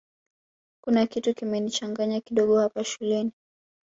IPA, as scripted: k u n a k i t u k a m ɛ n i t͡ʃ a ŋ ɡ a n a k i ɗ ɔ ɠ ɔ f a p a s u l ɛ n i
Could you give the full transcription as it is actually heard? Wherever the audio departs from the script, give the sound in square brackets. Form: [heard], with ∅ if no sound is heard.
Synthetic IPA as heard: k u n a k i t u k [i] m ɛ n i t͡ʃ a ŋ ɡ a [ɲ] a k i ɗ ɔ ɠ ɔ [h] a p a [ʃ] u l ɛ n i